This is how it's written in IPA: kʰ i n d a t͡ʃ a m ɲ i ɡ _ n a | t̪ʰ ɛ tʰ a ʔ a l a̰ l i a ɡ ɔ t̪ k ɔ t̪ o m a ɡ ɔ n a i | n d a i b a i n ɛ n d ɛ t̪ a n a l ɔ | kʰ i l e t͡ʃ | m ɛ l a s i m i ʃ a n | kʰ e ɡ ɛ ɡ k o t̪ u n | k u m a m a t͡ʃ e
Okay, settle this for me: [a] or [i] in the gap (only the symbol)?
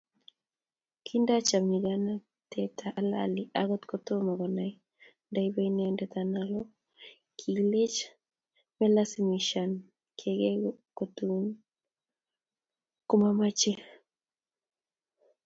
a